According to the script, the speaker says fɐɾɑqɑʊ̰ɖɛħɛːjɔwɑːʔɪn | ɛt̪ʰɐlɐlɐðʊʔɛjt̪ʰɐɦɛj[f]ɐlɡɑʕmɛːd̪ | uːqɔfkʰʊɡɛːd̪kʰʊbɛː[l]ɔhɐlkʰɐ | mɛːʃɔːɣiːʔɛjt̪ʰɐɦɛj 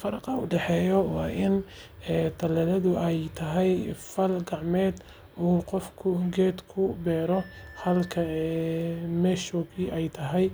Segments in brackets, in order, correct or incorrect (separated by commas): correct, incorrect